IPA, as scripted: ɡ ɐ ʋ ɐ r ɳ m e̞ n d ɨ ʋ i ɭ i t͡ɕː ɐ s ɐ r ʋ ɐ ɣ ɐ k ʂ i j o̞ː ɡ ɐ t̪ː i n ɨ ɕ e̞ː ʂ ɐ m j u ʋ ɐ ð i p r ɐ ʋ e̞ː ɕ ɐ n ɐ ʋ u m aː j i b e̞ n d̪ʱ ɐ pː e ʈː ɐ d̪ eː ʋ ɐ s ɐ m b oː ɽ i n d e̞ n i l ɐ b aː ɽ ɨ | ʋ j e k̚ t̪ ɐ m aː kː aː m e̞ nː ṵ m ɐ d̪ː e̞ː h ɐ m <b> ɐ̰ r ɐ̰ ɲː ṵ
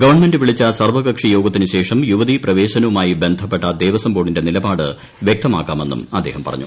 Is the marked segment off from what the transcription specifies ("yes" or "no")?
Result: yes